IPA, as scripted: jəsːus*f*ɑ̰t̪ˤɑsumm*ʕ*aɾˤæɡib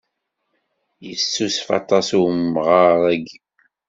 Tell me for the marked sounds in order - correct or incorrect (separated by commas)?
correct, incorrect